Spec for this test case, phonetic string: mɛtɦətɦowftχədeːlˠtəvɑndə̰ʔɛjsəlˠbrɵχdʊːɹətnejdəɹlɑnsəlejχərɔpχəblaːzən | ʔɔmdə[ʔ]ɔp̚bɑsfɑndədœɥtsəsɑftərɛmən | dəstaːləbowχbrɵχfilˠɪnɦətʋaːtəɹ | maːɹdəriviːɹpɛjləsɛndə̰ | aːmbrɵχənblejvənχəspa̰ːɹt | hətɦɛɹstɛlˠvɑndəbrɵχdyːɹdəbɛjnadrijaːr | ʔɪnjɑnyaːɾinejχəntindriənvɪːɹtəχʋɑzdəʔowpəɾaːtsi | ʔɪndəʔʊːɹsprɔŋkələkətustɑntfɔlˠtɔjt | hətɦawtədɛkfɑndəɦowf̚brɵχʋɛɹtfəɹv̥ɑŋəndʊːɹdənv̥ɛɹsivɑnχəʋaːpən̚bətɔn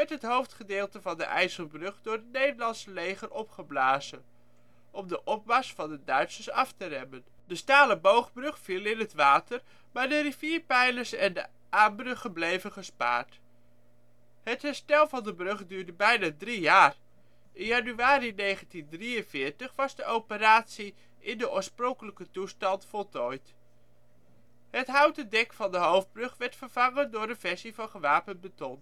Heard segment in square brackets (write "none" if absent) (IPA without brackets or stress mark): ʔ